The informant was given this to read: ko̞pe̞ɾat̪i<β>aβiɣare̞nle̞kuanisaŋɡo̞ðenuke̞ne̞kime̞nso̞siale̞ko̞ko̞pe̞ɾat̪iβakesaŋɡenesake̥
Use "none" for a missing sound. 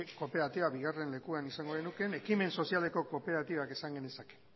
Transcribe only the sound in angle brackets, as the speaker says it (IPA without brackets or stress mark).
β